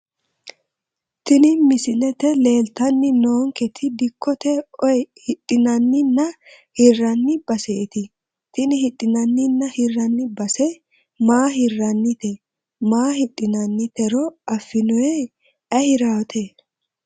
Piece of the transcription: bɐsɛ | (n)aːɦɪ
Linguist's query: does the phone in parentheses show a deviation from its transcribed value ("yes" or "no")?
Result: yes